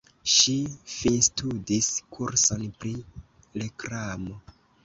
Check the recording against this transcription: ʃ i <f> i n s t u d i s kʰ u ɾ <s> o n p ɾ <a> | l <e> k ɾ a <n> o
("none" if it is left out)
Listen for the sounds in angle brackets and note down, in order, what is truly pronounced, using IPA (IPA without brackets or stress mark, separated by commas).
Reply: f, s, i, e, m